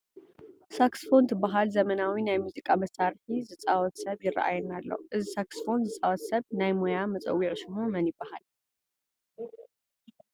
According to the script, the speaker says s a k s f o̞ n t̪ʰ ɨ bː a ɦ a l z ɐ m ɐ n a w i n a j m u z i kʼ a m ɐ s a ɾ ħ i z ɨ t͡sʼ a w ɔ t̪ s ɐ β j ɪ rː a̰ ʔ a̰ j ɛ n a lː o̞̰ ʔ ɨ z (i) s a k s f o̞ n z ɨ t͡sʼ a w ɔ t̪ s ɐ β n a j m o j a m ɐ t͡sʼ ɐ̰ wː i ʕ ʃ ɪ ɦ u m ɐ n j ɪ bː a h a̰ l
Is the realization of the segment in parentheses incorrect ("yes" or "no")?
no